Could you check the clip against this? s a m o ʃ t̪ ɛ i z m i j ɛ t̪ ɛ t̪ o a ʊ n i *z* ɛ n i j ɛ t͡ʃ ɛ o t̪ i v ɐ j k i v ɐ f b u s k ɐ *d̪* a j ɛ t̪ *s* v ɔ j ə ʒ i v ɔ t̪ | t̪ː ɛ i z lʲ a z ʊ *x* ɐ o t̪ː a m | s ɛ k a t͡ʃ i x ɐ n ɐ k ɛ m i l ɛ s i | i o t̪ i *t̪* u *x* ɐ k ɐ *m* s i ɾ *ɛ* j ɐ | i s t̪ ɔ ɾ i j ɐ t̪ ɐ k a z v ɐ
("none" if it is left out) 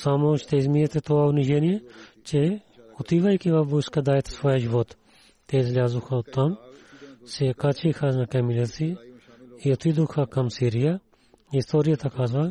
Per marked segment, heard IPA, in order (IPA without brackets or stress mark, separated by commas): ʒ, d̪, s, x, d̪, x, m, i